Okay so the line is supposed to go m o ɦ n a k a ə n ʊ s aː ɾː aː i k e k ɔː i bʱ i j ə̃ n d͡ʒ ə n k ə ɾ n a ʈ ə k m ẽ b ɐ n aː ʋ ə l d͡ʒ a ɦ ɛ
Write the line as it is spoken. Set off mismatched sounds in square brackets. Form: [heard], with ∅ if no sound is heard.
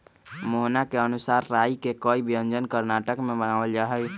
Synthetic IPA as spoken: m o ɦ n a k [e] ə n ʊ s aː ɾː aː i k e k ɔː i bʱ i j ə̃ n d͡ʒ ə n k ə ɾ n a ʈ ə k m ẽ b [ə] n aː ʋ ə l d͡ʒ a ɦ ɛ